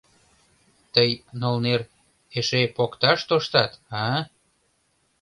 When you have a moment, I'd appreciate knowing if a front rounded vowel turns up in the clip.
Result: no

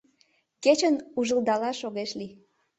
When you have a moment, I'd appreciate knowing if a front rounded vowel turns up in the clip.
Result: no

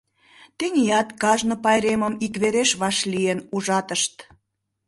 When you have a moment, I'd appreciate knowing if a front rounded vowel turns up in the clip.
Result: no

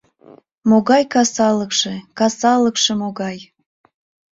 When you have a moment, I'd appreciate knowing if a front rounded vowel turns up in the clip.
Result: no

